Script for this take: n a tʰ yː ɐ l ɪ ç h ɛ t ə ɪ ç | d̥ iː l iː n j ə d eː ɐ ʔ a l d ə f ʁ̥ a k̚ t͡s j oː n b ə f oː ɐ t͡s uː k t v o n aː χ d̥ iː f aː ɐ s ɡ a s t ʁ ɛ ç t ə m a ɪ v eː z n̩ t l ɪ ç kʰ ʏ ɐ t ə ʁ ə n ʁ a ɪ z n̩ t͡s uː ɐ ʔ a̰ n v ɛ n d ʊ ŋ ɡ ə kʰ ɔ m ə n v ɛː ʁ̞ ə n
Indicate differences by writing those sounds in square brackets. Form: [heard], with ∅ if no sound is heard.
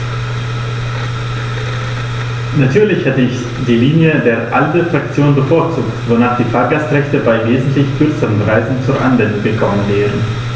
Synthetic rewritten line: n a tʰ yː ɐ l ɪ ç h ɛ t ə ɪ ç | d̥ iː l iː n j ə d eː ɐ ʔ a l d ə f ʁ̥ a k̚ t͡s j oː n b ə f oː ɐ t͡s uː k t v o n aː χ d̥ iː f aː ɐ [∅] ɡ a s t ʁ ɛ ç t ə [b] a ɪ v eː z n̩ t l ɪ ç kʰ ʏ ɐ [t͡s] ə ʁ ə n ʁ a ɪ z n̩ t͡s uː ɐ ʔ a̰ n v ɛ n d ʊ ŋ ɡ ə kʰ ɔ m ə n v ɛː ʁ̞ ə n